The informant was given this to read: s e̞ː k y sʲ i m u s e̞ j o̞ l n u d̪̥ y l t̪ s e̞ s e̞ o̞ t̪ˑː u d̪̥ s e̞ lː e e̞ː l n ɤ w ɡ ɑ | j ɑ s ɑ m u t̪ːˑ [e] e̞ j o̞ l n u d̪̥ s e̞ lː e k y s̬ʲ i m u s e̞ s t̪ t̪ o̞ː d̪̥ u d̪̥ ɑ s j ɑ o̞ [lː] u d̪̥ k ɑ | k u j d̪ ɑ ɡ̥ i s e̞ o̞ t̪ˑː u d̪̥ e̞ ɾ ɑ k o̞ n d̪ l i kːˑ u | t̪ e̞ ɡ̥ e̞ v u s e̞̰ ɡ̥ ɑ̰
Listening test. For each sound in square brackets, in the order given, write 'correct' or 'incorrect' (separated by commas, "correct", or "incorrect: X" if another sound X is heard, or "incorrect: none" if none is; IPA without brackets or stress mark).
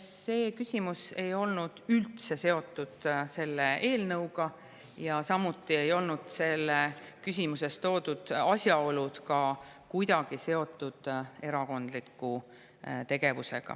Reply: incorrect: i, incorrect: l